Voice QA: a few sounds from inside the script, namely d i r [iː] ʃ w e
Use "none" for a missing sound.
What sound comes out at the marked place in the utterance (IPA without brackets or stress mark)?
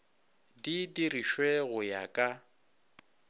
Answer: i